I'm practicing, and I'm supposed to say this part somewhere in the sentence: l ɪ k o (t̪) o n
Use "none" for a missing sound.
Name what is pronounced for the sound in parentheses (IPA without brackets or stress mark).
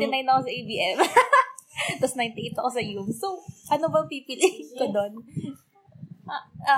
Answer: d̪